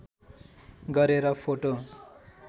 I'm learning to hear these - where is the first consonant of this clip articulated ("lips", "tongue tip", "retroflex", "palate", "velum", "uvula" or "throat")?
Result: velum